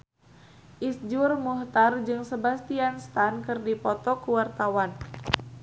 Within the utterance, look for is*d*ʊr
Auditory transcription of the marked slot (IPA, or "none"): d͡ʒ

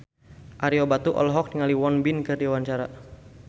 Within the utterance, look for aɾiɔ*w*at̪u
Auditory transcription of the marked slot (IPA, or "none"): b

